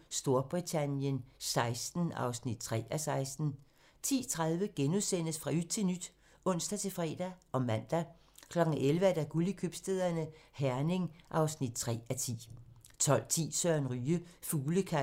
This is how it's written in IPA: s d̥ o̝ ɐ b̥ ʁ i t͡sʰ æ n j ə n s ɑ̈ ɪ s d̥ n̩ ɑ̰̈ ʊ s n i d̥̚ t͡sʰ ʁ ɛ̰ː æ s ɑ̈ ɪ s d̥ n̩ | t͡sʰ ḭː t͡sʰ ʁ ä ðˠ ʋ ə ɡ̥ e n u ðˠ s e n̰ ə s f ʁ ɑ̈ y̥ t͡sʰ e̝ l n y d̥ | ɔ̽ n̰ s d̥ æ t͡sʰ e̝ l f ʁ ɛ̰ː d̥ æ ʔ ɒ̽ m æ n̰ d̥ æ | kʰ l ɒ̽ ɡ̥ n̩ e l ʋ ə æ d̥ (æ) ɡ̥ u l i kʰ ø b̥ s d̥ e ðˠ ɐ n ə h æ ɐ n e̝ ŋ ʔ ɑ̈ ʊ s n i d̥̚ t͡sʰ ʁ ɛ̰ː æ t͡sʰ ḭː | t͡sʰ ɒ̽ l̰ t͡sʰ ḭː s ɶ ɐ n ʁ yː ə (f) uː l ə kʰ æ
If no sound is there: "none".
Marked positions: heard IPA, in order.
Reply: æ, f

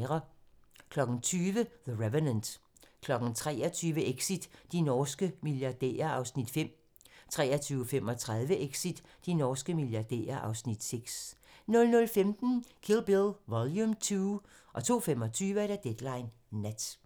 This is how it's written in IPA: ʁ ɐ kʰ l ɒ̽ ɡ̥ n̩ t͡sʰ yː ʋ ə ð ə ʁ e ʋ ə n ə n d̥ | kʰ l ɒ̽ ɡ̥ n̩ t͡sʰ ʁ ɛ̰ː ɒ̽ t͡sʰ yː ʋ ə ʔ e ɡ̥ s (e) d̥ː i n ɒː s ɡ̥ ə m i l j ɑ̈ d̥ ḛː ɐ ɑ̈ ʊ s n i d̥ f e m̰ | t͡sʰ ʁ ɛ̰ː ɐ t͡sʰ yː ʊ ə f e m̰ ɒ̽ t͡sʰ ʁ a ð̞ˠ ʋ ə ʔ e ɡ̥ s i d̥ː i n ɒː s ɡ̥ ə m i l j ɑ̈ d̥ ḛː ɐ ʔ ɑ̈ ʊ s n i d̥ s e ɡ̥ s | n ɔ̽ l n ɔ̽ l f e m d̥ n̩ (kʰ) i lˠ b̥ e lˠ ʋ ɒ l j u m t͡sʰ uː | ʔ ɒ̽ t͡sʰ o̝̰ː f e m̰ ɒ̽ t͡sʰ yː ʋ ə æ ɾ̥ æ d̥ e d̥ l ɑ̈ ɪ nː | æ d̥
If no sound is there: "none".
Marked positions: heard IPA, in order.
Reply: i, kʰ

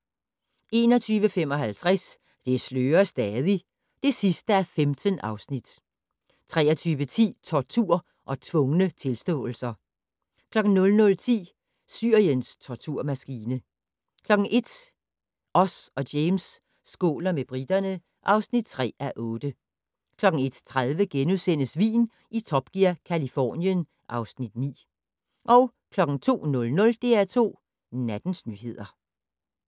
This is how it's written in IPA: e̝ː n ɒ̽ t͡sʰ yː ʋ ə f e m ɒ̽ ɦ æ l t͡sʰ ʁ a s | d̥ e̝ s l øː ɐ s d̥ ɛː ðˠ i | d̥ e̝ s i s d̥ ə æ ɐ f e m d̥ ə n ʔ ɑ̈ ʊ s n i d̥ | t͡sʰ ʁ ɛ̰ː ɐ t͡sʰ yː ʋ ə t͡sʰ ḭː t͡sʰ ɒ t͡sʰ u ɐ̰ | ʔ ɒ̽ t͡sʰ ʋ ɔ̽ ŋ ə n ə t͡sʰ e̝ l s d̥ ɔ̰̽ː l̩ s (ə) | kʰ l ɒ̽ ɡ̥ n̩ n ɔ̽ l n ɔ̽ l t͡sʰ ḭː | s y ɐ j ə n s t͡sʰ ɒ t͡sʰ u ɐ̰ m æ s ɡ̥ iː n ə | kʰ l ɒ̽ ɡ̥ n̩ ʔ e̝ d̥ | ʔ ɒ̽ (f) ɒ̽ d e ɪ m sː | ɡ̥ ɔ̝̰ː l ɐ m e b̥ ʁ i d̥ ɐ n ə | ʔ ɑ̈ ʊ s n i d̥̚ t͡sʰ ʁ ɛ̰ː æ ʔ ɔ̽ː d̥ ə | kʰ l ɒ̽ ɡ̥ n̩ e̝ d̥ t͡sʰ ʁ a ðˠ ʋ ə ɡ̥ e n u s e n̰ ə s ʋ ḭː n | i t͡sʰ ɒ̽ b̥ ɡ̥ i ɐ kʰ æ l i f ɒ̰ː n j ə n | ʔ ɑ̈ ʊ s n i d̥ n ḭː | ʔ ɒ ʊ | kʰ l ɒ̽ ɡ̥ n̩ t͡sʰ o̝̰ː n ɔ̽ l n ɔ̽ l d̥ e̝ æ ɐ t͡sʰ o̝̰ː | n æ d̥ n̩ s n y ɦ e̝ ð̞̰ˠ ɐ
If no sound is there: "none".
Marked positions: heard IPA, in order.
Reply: ɐ, s

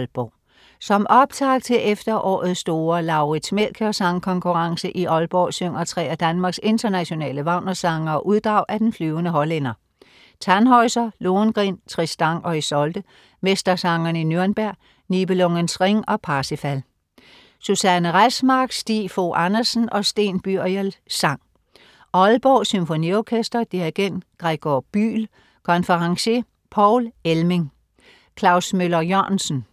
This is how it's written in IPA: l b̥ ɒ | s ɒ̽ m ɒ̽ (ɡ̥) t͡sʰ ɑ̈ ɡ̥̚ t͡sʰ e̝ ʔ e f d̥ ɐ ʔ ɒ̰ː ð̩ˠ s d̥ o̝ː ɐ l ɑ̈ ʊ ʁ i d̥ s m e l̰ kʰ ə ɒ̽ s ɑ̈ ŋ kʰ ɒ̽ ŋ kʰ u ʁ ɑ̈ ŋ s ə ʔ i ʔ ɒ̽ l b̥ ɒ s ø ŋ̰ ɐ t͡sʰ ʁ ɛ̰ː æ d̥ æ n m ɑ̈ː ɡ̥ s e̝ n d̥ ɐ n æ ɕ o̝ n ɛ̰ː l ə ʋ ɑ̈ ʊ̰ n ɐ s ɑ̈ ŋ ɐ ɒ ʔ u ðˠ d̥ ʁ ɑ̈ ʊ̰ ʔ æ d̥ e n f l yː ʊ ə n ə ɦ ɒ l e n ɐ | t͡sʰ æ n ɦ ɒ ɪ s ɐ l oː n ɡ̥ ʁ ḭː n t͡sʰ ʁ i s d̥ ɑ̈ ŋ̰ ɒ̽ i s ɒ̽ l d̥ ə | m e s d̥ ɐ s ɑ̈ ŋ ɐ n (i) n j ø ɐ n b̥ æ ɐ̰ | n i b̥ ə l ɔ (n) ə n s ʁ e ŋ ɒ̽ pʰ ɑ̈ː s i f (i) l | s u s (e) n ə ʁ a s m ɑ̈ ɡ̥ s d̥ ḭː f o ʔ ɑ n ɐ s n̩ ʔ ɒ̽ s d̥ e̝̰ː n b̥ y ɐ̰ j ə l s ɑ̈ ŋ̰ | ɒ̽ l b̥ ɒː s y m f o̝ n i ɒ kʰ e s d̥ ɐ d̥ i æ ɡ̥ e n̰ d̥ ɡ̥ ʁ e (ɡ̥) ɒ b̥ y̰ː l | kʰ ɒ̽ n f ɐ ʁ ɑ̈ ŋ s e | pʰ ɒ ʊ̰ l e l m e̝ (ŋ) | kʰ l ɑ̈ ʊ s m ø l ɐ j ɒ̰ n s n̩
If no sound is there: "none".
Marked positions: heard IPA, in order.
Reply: b̥, i, ŋ, æ, æ, ɡ̥, ŋ

